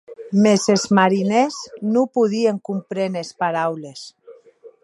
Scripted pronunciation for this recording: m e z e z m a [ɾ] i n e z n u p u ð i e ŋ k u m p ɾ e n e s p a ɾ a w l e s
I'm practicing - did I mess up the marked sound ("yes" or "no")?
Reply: no